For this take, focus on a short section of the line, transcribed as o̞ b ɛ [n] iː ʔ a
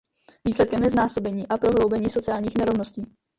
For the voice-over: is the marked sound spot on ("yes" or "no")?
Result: no